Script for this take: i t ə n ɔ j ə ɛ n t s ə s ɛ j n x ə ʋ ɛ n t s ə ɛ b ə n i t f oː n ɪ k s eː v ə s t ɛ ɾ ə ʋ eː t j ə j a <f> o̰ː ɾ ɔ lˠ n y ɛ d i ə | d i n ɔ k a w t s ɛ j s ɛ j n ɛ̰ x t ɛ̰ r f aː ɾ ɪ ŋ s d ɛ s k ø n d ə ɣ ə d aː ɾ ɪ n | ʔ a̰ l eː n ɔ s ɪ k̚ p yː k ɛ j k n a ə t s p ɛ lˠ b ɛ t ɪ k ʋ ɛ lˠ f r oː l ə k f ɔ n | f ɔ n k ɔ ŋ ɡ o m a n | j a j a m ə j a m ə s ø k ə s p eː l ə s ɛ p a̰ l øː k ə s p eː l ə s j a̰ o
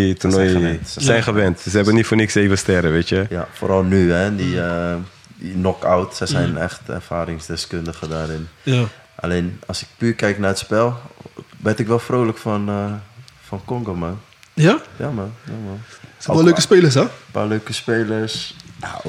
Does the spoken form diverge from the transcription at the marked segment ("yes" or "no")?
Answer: no